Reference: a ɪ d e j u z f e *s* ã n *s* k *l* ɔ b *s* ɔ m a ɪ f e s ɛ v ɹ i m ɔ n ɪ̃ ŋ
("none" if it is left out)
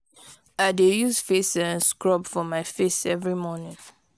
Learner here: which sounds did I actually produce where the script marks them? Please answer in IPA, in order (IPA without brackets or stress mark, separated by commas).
s, s, ɹ, f